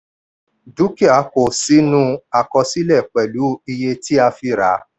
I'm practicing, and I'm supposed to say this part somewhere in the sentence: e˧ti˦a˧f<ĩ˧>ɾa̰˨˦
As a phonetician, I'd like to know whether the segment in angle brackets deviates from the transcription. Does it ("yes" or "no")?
yes